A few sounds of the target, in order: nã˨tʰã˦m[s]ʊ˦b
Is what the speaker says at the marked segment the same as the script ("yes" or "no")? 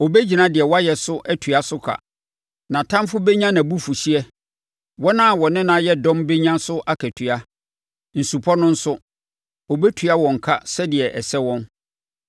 no